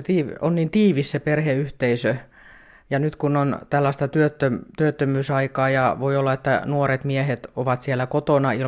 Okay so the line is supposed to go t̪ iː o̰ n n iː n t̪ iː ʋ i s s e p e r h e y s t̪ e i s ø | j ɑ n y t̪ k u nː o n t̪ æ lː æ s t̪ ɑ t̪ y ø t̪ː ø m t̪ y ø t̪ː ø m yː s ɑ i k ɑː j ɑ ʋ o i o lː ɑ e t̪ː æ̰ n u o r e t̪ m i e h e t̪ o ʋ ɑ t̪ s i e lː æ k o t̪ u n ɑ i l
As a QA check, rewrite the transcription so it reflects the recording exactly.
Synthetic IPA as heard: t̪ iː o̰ n n iː n t̪ iː ʋ i s s e p e r h e y h t̪ e i s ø | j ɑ n y t̪ k u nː o n t̪ æ lː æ s t̪ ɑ t̪ y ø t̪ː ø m t̪ y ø t̪ː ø m yː s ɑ i k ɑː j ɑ ʋ o i o lː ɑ e t̪ː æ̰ n u o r e t̪ m i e h e t̪ o ʋ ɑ t̪ s i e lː æ k o t̪ o n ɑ i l